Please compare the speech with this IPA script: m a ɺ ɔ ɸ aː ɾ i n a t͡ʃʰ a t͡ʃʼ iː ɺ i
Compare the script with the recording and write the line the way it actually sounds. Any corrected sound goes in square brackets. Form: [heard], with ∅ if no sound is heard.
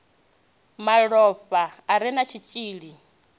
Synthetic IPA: m a ɺ ɔ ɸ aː ɾ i n a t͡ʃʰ [i] t͡ʃʼ iː ɺ i